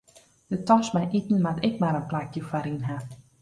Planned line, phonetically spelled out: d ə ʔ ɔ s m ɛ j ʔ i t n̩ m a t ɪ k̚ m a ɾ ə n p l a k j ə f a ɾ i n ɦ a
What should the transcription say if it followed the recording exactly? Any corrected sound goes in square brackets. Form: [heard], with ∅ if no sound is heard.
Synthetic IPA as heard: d ə [t] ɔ s m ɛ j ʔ i t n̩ m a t ɪ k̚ m a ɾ ə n p l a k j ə f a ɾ i n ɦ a